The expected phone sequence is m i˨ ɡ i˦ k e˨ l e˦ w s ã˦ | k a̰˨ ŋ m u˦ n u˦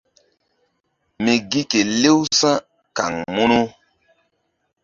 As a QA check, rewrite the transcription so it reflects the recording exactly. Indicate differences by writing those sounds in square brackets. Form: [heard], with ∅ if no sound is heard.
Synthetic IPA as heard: m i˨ ɡ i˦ k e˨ l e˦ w s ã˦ | k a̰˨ ŋ m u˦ n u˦